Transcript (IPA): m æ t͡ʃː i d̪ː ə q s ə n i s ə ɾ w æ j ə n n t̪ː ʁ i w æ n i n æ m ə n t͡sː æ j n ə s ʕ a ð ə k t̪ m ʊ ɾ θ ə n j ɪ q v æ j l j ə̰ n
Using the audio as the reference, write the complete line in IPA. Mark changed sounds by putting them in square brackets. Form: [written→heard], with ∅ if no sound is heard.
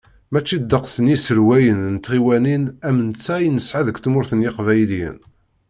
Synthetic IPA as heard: m æ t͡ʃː i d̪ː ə q s ə n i s ə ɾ w æ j ə n n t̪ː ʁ i w æ n i n æ m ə n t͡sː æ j n ə s ʕ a ð ə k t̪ m ʊ ɾ θ ə n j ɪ q v æ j l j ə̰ n

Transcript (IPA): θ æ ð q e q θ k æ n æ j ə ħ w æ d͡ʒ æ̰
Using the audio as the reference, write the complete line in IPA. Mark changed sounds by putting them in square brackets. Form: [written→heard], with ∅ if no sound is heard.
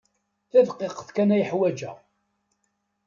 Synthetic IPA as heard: θ æ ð q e q θ k æ n æ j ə ħ w æ d͡ʒ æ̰

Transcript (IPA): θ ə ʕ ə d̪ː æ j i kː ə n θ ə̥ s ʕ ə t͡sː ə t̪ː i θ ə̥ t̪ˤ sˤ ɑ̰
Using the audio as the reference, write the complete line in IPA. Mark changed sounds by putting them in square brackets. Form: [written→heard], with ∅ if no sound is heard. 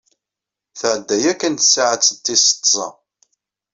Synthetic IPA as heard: θ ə ʕ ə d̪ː æ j [i→æ] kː ə n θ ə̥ s ʕ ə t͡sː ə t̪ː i [θ→s] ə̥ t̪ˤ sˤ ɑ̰

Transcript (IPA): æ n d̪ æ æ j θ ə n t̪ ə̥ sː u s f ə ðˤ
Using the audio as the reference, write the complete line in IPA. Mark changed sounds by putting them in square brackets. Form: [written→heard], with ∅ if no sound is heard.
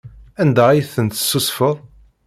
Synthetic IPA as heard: æ n d̪ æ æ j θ ə n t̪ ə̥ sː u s f ə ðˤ

